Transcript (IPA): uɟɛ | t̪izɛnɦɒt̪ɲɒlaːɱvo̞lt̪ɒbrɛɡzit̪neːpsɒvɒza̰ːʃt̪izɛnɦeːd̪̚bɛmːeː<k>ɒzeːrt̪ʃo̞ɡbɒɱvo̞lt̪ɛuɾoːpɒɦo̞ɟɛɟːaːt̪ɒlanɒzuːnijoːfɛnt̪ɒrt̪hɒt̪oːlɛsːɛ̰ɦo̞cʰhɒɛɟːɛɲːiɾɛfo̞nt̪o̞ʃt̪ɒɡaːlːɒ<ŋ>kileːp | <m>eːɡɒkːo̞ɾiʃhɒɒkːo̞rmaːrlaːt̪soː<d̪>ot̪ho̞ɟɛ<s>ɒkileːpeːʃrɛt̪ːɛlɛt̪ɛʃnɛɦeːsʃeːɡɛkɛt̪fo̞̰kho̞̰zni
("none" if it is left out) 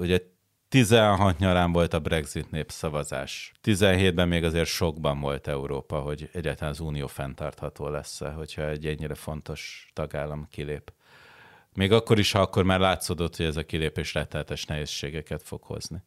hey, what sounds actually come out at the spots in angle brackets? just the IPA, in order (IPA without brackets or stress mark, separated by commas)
ɡ, m, m, d̪, z